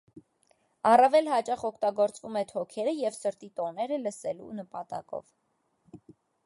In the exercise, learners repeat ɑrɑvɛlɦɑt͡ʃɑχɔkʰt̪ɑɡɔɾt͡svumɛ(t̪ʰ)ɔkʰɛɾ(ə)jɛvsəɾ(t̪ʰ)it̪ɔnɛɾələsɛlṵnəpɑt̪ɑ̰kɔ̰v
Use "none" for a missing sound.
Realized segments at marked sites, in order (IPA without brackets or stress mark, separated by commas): t̪ʰ, ə, t̪